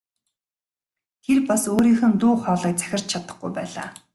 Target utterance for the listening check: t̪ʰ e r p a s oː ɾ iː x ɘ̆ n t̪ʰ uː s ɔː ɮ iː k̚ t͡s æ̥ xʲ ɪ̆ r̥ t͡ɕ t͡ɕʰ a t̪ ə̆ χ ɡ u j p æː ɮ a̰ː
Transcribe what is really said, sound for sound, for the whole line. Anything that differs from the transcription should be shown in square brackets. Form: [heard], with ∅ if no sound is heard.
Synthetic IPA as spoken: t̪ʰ e r p a s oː ɾ iː x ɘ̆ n [t̪] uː [χ] ɔː ɮ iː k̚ t͡s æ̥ xʲ ɪ̆ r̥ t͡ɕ t͡ɕʰ a t̪ ə̆ χ ɡ u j p æː ɮ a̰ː